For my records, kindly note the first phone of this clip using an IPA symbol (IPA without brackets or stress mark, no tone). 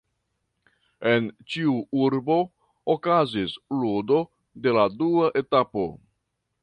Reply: e̞